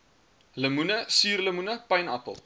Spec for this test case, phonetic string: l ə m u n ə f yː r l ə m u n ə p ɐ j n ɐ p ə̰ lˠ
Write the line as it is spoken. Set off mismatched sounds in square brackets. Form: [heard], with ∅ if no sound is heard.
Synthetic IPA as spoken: l ə m u n ə [s] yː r l ə m u n ə p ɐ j n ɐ p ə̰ lˠ